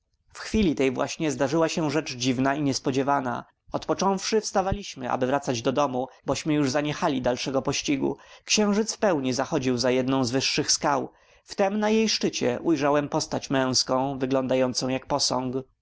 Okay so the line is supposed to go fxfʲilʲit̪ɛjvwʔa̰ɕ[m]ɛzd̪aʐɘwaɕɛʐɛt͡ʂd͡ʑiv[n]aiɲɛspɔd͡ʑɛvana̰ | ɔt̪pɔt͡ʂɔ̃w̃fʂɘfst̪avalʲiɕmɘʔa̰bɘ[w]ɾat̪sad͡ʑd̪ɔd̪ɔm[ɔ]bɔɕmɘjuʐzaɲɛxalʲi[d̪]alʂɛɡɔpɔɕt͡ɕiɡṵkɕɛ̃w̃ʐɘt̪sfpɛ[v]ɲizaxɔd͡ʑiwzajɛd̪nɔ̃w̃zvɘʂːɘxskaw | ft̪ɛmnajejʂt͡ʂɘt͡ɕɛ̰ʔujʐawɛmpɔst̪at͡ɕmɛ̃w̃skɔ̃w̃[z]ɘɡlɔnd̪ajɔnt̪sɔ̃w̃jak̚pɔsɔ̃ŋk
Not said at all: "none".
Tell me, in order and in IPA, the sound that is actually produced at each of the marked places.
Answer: ɲ, n, v, u, d̪, w, v

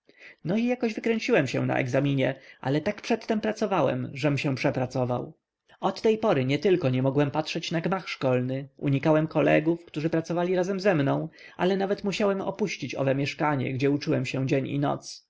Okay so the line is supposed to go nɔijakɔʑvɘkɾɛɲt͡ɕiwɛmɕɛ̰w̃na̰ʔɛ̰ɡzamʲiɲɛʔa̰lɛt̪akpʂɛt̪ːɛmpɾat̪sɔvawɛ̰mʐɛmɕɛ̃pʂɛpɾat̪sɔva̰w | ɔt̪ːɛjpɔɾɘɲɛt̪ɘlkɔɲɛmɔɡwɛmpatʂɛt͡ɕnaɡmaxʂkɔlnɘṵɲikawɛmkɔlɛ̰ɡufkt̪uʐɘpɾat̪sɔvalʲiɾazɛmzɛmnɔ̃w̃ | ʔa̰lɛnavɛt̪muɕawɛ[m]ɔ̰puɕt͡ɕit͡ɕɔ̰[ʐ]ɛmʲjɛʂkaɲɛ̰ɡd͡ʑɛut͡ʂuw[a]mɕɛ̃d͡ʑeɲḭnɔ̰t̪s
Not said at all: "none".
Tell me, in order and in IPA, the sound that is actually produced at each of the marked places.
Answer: m, v, ɛ

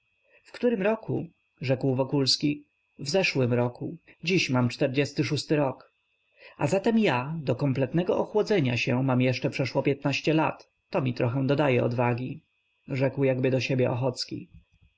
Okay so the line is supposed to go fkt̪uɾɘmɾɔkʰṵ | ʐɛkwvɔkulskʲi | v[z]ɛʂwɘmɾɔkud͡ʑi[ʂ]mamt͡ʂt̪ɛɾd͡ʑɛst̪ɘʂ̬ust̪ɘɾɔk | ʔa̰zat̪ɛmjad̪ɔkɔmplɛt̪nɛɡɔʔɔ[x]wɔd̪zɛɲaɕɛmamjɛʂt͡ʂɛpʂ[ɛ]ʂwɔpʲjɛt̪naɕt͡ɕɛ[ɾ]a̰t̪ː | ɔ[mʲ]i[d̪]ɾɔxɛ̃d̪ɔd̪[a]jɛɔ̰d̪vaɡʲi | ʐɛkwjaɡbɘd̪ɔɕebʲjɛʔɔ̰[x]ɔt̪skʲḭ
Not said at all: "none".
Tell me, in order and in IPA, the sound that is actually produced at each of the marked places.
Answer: z, ɕ, x, ɛ, l, mʲ, t̪, a, x

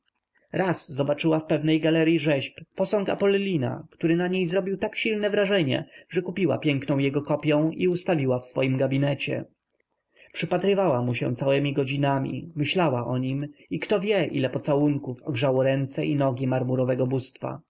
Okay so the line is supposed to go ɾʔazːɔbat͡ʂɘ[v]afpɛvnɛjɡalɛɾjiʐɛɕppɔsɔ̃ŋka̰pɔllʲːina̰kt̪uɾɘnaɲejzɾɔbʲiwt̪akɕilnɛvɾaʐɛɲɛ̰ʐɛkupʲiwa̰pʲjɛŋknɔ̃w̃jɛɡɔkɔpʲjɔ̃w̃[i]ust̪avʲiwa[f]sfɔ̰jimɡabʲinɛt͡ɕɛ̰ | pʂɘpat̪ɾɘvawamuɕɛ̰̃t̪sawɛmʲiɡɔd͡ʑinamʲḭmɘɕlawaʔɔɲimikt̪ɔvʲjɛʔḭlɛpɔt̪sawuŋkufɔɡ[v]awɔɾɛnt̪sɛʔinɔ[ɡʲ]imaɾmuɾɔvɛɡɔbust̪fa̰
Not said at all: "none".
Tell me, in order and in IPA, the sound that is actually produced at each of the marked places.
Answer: w, i, f, ʐ, ɡʲ

